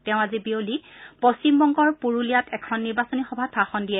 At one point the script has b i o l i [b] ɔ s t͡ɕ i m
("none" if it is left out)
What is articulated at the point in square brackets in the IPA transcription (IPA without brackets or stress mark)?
p